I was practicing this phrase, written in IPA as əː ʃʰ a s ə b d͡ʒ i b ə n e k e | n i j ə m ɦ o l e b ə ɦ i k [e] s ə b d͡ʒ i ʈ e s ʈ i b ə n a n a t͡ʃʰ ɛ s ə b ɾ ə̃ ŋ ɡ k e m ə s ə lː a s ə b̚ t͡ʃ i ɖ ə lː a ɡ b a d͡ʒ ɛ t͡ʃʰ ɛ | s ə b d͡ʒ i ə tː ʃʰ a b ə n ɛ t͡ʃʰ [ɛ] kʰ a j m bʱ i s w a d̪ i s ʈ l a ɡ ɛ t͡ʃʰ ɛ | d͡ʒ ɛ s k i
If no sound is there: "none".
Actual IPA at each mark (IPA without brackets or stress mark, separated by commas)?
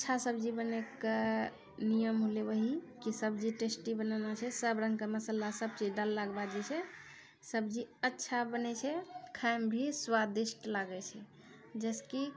i, ɛ